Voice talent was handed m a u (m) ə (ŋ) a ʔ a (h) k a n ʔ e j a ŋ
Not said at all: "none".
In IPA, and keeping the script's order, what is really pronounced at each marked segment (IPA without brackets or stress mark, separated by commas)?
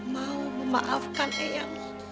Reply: m, m, f